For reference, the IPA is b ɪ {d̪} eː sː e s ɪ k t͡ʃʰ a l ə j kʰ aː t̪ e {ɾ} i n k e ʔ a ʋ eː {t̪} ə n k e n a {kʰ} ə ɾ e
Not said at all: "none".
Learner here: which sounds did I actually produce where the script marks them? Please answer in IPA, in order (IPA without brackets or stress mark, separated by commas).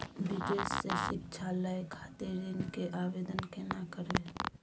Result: d̪, ɾ, d̪, k